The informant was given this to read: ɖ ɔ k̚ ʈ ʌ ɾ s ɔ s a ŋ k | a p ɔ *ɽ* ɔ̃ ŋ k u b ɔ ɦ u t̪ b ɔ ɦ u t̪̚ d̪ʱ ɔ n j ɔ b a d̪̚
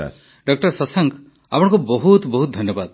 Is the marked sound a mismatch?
no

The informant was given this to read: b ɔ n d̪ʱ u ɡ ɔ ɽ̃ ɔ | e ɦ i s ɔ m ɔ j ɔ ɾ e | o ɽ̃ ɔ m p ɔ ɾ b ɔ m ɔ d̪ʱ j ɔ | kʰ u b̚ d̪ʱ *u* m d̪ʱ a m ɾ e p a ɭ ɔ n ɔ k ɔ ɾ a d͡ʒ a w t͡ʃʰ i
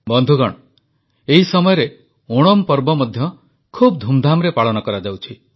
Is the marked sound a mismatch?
no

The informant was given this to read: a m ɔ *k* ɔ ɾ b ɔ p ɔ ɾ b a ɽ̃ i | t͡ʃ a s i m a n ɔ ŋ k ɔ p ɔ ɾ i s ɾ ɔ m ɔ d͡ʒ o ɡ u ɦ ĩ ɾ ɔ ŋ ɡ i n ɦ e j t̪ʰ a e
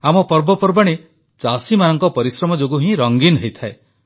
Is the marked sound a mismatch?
yes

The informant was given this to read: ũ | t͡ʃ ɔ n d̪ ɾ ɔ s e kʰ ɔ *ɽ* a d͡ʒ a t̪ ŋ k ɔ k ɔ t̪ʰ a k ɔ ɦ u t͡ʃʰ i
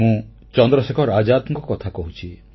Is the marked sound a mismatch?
yes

